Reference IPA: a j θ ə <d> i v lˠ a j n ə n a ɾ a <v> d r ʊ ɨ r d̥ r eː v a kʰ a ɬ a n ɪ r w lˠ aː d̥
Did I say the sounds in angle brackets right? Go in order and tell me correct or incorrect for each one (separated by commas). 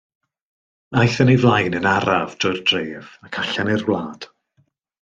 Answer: incorrect, correct